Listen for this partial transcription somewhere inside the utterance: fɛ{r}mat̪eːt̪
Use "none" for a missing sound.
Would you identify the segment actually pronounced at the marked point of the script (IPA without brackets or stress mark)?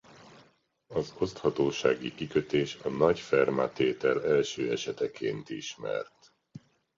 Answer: r